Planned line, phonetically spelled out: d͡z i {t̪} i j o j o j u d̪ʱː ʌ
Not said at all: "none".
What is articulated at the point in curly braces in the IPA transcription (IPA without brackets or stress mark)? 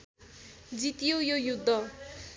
t̪